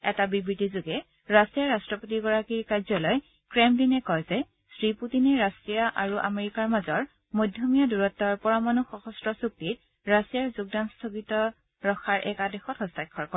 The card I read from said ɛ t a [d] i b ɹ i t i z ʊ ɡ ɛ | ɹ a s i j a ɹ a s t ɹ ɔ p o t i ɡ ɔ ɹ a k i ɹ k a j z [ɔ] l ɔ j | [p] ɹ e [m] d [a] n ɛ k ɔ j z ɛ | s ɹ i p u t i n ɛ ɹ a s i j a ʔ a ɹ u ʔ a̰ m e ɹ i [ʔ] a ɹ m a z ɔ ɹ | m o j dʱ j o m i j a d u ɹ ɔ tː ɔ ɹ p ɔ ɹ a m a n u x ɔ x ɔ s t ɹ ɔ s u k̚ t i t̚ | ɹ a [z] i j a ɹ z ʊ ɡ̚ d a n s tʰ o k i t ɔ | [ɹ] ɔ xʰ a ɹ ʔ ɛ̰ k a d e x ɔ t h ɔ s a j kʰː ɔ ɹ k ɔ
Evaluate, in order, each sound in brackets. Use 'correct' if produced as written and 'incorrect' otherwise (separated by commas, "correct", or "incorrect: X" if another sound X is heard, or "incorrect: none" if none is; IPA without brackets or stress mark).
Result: incorrect: b, correct, incorrect: k, correct, incorrect: i, incorrect: k, incorrect: s, correct